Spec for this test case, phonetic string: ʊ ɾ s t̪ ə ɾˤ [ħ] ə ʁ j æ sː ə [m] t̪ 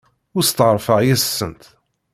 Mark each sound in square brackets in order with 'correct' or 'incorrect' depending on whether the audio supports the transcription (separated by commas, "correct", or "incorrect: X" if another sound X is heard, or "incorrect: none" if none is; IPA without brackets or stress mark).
incorrect: f, incorrect: n